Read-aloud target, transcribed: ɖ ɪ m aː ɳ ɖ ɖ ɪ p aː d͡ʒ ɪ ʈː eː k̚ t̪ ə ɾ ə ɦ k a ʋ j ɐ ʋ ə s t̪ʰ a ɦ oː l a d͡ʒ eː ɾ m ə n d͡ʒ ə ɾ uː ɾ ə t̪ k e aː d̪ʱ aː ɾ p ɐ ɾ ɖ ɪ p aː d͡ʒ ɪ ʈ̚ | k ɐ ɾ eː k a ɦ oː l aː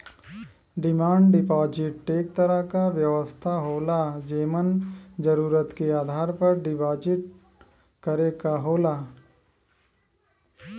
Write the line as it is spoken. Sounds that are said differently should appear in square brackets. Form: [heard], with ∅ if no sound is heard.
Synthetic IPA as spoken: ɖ ɪ m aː ɳ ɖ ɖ ɪ p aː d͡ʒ ɪ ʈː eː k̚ t̪ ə ɾ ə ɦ k a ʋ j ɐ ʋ ə s t̪ʰ a ɦ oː l a d͡ʒ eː [∅] m ə n d͡ʒ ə ɾ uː ɾ ə t̪ k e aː d̪ʱ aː ɾ p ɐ ɾ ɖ ɪ p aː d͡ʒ ɪ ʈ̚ | k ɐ ɾ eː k a ɦ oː l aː